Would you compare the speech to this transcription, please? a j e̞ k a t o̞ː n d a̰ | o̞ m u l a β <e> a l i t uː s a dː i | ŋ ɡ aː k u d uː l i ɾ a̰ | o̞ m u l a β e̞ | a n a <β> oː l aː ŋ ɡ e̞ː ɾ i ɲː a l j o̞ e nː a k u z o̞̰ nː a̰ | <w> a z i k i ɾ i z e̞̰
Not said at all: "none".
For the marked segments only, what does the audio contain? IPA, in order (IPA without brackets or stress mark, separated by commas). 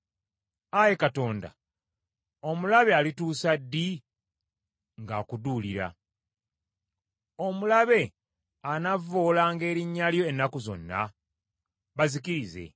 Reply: e, v, β